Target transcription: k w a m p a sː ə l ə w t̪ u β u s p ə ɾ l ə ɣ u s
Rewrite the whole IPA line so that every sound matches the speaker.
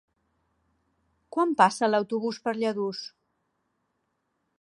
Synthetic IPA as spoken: k w a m p a s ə l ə w t̪ u β u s p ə ɾ ʎ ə ð u s